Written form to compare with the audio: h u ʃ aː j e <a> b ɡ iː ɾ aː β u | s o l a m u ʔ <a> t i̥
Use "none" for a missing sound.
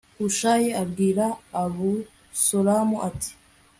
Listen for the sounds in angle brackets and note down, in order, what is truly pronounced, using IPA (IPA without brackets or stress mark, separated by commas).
a, a